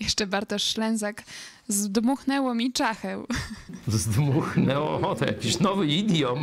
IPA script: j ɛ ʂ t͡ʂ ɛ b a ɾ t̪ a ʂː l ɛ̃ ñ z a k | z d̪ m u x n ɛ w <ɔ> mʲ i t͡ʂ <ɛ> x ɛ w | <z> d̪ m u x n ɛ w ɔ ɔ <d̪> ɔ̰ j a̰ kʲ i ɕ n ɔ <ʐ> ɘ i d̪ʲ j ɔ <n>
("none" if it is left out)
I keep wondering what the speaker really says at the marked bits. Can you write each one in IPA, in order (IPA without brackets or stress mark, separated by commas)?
ɔ, a, z, t̪, v, m